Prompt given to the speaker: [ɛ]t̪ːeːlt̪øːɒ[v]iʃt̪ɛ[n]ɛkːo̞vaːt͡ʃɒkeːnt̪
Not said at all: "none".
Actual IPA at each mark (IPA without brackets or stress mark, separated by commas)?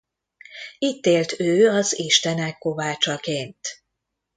i, z, n